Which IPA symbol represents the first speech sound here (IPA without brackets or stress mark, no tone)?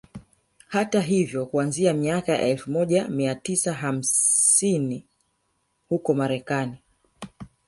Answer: h